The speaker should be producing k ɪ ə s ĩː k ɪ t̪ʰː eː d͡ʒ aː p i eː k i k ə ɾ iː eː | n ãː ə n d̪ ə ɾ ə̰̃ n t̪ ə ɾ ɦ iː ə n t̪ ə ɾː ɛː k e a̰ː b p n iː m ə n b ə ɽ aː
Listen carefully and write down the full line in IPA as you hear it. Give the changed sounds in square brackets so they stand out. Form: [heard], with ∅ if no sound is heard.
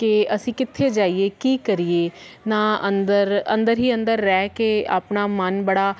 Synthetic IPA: k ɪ ə s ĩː k ɪ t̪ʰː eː d͡ʒ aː [∅] i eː k [iː] k ə ɾ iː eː | n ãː ə n d̪ ə ɾ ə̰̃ n [d̪] ə ɾ ɦ iː ə n [d̪] ə ɾː ɛː k e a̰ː [∅] p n [aː] m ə n b ə ɽ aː